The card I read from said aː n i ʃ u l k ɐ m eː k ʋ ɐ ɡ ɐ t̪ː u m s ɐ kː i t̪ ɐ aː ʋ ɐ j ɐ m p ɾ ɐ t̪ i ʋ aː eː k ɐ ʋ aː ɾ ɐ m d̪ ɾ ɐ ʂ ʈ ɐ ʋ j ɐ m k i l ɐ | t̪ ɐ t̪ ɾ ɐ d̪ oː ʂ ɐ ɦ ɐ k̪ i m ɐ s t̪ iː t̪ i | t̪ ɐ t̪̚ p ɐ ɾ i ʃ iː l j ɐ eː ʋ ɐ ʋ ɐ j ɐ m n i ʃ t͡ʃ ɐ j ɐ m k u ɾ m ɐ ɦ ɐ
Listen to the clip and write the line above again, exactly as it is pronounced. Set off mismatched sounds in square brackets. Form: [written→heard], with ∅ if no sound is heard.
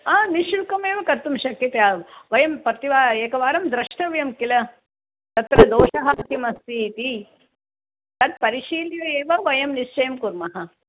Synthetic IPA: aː n i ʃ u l k ɐ m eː [k→∅] ʋ ɐ [ɡ→k] ɐ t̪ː u m [s→ʃ] ɐ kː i t̪ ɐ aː ʋ ɐ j ɐ m p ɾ ɐ t̪ i ʋ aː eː k ɐ ʋ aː ɾ ɐ m d̪ ɾ ɐ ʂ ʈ ɐ ʋ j ɐ m k i l ɐ | t̪ ɐ t̪ ɾ ɐ d̪ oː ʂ ɐ ɦ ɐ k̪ i m ɐ s t̪ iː t̪ i | t̪ ɐ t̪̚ p ɐ ɾ i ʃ iː l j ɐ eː ʋ ɐ ʋ ɐ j ɐ m n i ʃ t͡ʃ ɐ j ɐ m k u ɾ m ɐ ɦ ɐ